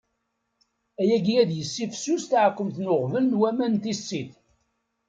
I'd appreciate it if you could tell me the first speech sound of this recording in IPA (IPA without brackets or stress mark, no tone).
æ